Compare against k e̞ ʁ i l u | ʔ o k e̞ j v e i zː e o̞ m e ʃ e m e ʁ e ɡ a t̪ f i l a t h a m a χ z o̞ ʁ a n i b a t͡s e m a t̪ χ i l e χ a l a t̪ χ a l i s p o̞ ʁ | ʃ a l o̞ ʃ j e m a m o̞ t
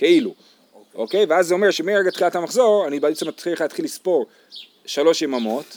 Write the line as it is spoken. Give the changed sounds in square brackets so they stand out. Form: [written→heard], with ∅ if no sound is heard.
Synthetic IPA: k e̞ [ʁ→∅] i l u | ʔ o k e̞ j v e [i→a] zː e o̞ m e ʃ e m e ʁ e ɡ a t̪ [f→χ] i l a t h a m a χ z o̞ ʁ a n i b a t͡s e m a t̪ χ i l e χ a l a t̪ χ [a→i] l i s p o̞ ʁ | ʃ a l o̞ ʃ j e m a m o̞ t